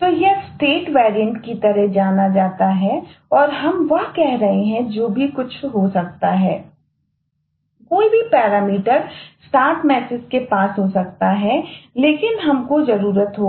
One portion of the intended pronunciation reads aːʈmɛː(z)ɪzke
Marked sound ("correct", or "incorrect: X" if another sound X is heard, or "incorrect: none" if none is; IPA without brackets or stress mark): incorrect: s